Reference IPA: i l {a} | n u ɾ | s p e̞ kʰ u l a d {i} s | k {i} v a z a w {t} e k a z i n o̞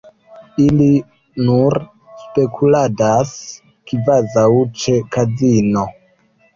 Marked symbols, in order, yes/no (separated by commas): no, no, yes, no